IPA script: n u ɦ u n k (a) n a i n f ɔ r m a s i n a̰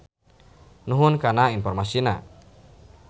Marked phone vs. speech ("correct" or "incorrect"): correct